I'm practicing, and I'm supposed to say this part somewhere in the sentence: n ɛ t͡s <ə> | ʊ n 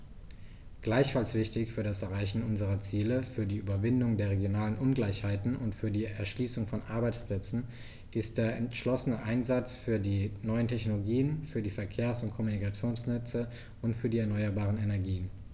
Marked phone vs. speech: correct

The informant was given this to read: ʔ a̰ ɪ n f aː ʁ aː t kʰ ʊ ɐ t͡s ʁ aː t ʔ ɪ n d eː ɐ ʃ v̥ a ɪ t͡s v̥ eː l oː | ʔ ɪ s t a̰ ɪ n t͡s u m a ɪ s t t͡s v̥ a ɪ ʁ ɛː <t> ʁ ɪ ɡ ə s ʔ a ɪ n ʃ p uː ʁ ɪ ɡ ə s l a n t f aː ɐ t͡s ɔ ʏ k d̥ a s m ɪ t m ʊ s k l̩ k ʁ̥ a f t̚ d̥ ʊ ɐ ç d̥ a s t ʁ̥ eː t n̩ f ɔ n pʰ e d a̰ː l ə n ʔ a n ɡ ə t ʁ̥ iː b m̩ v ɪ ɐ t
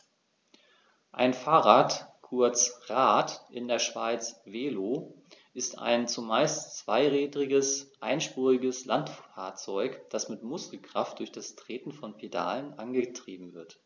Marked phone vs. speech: incorrect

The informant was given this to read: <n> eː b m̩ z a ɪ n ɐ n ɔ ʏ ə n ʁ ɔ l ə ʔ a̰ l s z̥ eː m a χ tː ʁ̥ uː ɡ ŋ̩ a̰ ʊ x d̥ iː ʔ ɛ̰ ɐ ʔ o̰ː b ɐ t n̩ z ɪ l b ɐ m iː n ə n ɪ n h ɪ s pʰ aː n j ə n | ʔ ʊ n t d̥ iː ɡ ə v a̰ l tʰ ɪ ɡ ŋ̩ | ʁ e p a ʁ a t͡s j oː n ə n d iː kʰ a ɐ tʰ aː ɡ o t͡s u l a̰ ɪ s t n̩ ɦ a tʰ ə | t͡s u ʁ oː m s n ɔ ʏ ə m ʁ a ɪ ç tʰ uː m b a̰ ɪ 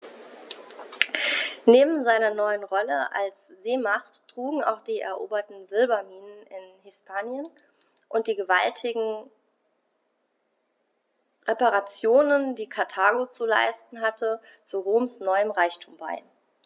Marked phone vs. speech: correct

